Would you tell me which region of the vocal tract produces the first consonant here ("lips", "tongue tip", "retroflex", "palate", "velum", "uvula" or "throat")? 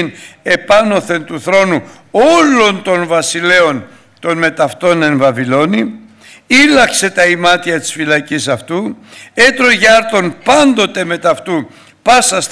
tongue tip